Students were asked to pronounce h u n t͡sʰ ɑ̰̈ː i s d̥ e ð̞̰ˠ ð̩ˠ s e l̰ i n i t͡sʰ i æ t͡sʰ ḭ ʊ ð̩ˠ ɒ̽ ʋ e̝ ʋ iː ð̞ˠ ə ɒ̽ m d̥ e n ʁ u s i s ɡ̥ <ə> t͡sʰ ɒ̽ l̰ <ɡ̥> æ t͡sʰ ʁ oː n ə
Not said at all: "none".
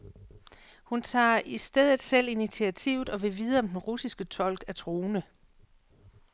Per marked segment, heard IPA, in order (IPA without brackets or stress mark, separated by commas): ə, ɡ̥